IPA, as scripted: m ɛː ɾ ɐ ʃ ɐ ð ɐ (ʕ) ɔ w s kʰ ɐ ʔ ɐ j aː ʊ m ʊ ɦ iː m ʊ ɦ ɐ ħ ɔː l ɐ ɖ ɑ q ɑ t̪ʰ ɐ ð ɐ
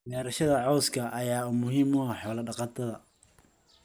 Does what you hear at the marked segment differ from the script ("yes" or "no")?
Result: no